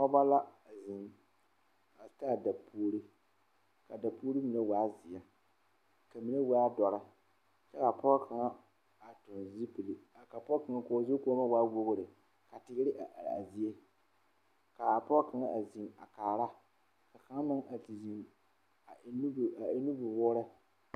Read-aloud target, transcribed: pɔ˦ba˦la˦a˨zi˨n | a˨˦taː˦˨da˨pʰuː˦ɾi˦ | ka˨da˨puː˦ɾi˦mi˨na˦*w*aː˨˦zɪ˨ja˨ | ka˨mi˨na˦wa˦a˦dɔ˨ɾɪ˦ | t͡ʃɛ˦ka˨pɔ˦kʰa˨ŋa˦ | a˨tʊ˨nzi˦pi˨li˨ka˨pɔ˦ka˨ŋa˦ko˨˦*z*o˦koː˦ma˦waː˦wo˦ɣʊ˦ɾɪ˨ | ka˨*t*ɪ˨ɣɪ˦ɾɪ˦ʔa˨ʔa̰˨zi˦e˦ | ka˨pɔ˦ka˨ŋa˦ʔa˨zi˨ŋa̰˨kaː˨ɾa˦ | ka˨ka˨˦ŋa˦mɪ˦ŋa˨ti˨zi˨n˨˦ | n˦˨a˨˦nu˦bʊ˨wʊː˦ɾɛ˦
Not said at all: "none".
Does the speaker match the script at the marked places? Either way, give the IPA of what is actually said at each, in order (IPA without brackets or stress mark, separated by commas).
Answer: w, z, t